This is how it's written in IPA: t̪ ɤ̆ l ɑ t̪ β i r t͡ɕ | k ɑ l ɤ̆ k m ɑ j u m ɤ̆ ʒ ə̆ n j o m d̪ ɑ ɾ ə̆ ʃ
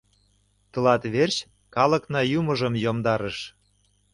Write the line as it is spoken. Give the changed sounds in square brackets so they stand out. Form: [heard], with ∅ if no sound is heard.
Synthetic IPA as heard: t̪ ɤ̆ l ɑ t̪ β [e] r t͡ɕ | k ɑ l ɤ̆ k [n] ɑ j u m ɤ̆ ʒ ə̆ [m] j o m d̪ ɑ ɾ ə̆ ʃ